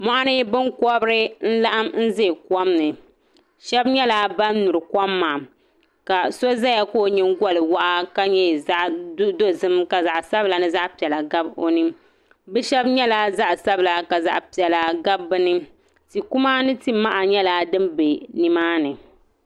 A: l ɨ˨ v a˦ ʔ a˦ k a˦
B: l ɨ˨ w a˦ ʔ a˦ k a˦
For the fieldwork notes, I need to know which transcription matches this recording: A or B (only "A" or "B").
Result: B